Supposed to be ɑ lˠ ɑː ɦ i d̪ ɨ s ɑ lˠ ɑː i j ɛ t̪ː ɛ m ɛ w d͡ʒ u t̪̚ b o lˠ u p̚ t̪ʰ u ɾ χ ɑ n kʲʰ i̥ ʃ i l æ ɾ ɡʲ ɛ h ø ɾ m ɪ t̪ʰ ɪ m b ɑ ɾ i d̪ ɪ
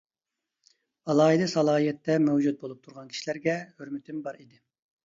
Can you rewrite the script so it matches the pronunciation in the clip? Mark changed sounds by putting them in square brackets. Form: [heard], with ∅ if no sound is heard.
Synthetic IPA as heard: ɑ lˠ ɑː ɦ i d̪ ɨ s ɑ lˠ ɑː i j ɛ t̪ː ɛ m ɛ w d͡ʒ u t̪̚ b o lˠ u p̚ t̪ʰ u ɾ [ʁ] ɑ n kʲʰ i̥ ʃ i l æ ɾ ɡʲ ɛ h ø ɾ m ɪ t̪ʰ ɪ m b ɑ ɾ i d̪ ɪ